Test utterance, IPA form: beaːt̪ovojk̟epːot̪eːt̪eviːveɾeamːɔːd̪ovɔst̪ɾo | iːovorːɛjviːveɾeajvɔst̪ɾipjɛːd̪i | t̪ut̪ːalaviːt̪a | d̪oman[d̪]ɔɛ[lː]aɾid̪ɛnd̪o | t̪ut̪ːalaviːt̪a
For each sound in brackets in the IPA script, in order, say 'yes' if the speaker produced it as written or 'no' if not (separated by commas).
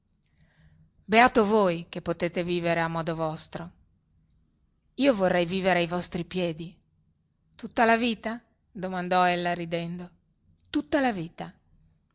yes, yes